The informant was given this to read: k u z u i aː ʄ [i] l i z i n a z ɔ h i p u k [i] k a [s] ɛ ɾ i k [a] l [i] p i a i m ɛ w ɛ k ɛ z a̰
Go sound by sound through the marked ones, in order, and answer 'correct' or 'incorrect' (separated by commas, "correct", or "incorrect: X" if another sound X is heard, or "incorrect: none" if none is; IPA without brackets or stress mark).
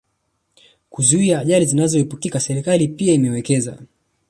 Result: incorrect: a, correct, correct, correct, correct